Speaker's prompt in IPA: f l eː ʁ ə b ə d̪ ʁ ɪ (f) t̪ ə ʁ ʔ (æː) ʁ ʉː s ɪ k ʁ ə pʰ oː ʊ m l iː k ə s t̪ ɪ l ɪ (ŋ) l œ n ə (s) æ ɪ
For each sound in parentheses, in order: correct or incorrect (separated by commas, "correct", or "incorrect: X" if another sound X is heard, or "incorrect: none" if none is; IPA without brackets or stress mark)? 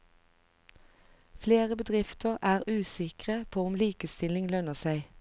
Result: correct, correct, correct, correct